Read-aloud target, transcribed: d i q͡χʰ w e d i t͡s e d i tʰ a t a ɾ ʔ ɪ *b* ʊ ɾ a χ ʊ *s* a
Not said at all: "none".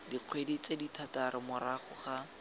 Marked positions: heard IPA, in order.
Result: m, χ

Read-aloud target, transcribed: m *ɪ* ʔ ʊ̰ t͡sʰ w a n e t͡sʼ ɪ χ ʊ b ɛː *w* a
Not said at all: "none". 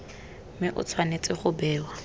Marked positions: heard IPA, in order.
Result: ɪ, w

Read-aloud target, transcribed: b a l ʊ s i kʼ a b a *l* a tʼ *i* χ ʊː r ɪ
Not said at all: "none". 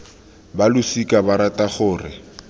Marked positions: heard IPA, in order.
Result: ɾ, a

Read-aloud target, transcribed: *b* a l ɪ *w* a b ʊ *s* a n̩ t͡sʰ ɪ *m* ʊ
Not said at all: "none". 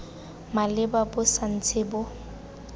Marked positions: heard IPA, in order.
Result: m, b, s, b

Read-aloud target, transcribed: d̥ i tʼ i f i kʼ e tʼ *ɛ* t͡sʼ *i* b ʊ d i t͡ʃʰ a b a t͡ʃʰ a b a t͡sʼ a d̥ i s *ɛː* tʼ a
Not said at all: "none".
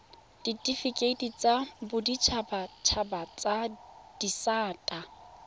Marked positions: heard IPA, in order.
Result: i, a, aː

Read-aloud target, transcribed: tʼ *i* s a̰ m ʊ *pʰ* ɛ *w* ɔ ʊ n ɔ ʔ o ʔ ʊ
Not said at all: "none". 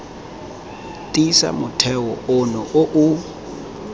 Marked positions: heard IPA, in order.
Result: i, tʰ, w

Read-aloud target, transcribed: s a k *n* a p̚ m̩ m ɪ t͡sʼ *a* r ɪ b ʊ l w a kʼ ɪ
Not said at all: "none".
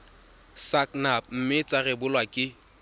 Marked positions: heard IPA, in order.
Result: n, a

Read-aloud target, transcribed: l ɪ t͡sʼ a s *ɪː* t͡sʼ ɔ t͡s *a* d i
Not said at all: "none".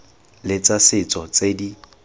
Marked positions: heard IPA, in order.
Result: ɪ, e

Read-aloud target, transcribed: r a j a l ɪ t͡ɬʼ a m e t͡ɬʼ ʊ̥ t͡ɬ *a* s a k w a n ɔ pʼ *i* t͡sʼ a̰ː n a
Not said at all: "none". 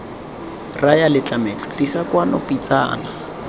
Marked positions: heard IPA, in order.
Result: i, i

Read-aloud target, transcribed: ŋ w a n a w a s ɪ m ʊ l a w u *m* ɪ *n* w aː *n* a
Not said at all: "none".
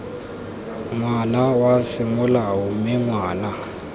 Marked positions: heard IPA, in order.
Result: m, ŋ, n

